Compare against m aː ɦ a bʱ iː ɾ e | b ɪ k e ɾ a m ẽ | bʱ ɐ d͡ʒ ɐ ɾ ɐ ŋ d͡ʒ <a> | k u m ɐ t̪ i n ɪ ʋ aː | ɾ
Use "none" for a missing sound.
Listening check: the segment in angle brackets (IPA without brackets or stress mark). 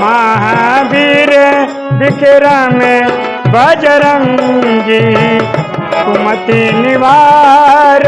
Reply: i